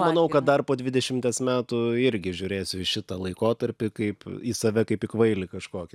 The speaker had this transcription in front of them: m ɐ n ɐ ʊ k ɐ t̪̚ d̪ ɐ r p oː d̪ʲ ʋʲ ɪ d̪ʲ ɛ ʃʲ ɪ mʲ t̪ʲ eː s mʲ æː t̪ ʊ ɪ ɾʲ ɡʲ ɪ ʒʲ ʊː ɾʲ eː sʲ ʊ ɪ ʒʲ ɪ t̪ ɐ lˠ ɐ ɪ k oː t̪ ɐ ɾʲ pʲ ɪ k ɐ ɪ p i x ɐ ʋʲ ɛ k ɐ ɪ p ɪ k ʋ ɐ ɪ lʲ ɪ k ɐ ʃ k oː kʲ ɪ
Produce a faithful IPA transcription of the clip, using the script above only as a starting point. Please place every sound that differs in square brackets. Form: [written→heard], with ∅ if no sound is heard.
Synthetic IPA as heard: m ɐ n ɐ ʊ k ɐ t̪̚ d̪ ɐ r p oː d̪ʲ ʋʲ ɪ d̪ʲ ɛ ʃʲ ɪ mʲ t̪ʲ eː s mʲ æː t̪ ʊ ɪ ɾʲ ɡʲ ɪ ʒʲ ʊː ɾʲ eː sʲ ʊ ɪ [ʒʲ→ʃʲ] ɪ t̪ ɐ lˠ ɐ ɪ k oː t̪ ɐ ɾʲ pʲ ɪ k ɐ ɪ p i [x→s] ɐ ʋʲ ɛ k ɐ ɪ p ɪ k ʋ ɐ ɪ lʲ ɪ k ɐ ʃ k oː kʲ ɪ